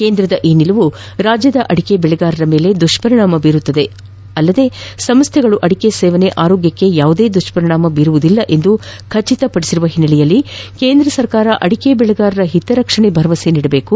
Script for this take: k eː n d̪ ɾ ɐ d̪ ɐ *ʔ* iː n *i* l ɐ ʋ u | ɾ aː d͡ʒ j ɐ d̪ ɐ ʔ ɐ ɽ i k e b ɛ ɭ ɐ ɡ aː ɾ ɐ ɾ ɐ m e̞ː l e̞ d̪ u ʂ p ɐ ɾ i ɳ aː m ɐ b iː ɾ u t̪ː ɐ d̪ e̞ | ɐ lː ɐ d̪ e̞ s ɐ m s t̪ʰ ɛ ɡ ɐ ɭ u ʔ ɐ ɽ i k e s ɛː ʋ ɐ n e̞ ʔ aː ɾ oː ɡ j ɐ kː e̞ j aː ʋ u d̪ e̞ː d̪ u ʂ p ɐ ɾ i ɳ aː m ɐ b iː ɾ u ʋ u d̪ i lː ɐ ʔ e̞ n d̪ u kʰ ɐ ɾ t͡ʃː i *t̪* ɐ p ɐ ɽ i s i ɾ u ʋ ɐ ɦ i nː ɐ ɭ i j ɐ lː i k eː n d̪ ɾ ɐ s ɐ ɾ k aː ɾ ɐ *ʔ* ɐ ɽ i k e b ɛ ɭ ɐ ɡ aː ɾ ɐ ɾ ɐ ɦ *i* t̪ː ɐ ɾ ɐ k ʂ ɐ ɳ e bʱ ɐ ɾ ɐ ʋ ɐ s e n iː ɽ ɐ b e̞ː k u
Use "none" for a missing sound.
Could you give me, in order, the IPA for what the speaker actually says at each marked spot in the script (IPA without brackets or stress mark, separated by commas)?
ʔ, i, t̪, ʔ, i